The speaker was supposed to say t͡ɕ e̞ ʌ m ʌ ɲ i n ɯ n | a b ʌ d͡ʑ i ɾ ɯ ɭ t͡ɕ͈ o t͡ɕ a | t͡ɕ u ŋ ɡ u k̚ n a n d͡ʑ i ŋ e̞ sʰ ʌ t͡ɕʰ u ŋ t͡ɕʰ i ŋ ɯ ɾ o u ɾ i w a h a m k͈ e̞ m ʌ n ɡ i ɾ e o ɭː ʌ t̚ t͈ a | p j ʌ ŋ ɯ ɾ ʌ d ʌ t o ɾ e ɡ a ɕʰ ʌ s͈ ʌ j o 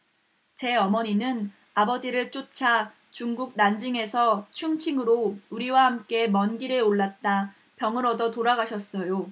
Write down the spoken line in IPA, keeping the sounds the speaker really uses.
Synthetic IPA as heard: t͡ɕ e̞ ʌ m ʌ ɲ i n ɯ n | a b ʌ d͡ʑ i ɾ ɯ ɭ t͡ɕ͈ o t͡ɕʰ a | t͡ɕ u ŋ ɡ u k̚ n a n d͡ʑ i ŋ e̞ sʰ ʌ t͡ɕʰ u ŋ t͡ɕʰ i ŋ ɯ ɾ o u ɾ i w a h a m k͈ e̞ m ʌ n ɡ i ɾ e o ɭː a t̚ t͈ a | p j ʌ ŋ ɯ ɾ ʌ d ʌ t o ɾ a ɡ a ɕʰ ʌ s͈ ʌ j o